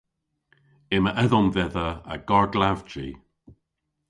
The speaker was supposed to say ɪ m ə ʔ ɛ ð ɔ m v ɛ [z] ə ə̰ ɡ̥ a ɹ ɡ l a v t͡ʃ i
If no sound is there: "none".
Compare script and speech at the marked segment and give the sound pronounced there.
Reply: ð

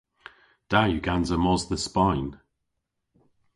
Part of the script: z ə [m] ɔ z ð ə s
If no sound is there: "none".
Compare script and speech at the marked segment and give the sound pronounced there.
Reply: m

